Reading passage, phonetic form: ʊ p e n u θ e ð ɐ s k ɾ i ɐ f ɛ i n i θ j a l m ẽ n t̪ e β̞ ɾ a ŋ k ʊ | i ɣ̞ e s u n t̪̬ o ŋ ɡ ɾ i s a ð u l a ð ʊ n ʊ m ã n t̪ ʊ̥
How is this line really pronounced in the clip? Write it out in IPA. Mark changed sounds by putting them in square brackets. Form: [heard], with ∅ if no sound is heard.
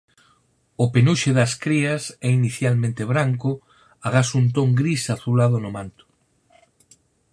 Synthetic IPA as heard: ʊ p e n u [ʃ] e ð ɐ s k ɾ i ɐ [s] ɛ i n i θ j a l m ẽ n t̪ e β̞ ɾ a ŋ k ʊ | [a] ɣ̞ [a] s u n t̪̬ o ŋ ɡ ɾ i s a [θ] u l a ð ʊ n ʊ m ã n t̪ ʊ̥